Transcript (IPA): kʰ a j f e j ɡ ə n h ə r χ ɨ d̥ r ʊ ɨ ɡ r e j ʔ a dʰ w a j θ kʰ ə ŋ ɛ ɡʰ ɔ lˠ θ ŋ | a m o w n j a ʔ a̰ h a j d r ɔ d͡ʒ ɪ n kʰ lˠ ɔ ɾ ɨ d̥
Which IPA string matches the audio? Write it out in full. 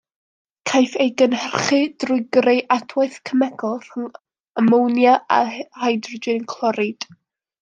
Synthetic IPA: kʰ a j f e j ɡ ə n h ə r χ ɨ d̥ r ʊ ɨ ɡ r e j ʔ a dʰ w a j θ kʰ ə m ɛ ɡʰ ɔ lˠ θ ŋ | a m o w n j a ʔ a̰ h a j d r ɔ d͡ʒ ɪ n kʰ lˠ ɔ ɾ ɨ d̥